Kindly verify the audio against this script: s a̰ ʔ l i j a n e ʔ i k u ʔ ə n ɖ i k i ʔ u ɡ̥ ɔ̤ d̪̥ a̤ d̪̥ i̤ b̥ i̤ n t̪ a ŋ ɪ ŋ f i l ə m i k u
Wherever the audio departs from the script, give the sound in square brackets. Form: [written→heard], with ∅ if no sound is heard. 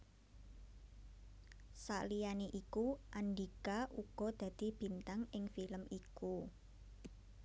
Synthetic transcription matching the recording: s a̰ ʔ l i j a n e ʔ i k u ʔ [ə→a] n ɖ i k [i→a] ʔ u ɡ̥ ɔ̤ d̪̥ a̤ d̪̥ i̤ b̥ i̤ n t̪ a ŋ ɪ ŋ f i l ə m i k u